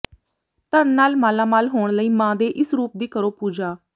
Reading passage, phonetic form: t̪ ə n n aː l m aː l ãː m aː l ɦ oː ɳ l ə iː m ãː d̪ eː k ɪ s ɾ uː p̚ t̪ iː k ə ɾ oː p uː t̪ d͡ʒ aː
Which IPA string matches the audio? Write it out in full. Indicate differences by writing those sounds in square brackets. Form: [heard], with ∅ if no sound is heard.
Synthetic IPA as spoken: t̪ ə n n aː l m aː l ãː m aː l ɦ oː ɳ l ə iː m ãː d̪ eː [ʔ] ɪ s ɾ uː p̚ [d̪] iː k ə ɾ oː p uː [∅] d͡ʒ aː